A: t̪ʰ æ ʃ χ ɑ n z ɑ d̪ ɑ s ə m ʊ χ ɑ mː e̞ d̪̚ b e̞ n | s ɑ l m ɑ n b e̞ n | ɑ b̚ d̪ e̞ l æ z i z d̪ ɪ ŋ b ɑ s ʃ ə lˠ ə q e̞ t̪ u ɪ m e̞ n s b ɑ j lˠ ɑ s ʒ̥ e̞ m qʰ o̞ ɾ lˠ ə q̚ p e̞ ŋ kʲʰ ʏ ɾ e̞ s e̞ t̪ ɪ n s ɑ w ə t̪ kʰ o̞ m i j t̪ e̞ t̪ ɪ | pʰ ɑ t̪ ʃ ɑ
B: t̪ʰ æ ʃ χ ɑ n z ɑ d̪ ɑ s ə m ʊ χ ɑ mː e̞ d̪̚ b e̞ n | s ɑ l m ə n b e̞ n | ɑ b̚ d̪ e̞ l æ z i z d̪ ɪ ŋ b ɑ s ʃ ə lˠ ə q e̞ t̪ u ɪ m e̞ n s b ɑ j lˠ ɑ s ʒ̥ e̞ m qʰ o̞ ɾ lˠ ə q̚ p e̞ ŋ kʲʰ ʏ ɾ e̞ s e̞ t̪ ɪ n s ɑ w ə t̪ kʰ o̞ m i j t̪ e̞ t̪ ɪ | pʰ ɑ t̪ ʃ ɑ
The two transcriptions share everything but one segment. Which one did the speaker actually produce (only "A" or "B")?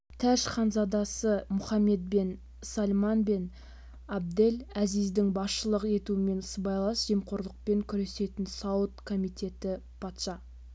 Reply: A